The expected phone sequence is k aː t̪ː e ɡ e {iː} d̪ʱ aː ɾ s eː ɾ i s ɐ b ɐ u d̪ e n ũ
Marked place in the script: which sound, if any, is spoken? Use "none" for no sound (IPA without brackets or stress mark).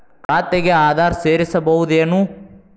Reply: aː